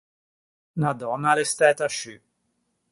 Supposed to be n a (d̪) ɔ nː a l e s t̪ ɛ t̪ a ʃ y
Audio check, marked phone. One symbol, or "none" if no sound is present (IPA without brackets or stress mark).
d̪